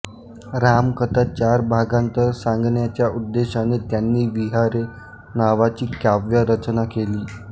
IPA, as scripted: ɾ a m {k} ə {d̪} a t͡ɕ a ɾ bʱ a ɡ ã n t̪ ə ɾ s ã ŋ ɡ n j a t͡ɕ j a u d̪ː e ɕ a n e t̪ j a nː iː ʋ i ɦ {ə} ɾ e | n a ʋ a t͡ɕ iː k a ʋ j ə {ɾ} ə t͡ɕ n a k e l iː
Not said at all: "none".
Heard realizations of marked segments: k, t̪, a, ɾ

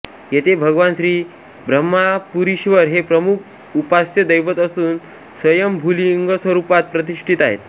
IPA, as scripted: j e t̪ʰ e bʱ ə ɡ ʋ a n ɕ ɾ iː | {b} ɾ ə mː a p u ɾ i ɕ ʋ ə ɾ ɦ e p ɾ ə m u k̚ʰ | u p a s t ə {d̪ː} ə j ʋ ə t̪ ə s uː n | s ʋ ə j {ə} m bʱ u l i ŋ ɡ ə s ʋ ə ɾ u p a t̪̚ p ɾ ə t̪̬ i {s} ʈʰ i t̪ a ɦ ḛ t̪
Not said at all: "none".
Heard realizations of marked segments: b, d̪, ə, ʂ

